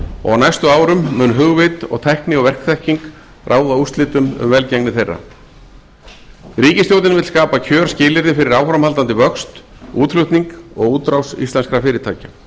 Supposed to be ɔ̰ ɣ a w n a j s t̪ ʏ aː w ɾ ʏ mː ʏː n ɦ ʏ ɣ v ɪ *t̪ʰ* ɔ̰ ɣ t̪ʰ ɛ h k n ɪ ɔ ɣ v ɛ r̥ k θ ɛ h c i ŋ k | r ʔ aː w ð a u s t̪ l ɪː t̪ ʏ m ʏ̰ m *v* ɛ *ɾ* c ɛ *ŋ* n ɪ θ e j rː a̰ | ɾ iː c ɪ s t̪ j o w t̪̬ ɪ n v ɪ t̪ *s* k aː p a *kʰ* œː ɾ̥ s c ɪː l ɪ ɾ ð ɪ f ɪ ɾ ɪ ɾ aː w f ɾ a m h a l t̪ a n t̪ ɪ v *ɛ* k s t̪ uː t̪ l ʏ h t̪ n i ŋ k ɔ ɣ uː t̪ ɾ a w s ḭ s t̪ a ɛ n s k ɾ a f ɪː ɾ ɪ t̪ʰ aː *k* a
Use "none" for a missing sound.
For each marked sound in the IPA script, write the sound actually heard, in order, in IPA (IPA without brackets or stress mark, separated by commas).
t̪, v, l, ŋ, s, cʰ, œ, c